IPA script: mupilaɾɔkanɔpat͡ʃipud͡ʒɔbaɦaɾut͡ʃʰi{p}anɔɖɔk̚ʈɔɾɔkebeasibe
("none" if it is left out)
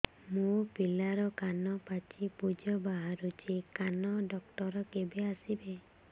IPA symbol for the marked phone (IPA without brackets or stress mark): k